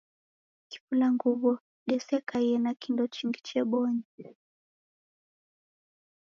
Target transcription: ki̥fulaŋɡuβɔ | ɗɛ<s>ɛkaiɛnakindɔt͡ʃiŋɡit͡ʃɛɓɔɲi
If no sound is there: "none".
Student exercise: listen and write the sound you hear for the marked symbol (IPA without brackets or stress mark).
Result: s